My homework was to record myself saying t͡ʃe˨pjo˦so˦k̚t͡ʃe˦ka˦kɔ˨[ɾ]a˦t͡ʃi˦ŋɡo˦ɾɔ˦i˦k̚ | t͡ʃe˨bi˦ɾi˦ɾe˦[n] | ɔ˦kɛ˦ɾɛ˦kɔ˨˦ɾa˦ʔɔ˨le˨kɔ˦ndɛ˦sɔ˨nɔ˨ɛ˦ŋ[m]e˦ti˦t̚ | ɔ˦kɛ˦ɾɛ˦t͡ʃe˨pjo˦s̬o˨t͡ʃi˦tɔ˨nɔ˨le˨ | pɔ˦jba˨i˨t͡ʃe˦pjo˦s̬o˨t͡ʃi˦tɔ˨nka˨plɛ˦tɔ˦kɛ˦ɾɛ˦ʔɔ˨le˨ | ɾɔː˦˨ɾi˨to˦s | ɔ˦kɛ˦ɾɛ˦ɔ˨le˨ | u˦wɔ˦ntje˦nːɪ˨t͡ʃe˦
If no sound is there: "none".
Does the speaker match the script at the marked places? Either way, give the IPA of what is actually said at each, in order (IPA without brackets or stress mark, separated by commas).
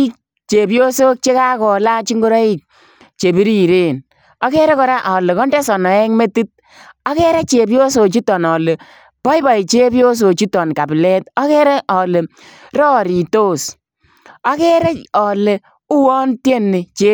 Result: l, n, m